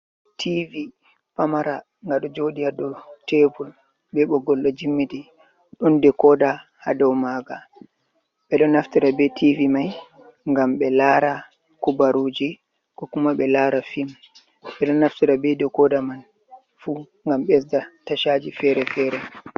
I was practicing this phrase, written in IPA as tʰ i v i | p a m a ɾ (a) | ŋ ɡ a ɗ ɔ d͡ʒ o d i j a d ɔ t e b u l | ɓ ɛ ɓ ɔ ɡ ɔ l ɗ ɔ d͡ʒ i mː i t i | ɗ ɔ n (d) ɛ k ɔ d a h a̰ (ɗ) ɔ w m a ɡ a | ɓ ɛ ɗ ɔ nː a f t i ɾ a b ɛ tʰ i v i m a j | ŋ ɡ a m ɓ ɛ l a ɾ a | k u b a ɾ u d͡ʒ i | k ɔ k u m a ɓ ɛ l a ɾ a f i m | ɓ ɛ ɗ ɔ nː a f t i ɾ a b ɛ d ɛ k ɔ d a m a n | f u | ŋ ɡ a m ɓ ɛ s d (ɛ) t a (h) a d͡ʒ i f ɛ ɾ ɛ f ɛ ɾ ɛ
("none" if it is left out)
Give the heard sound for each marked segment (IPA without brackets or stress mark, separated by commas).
a, d, d, a, ʃ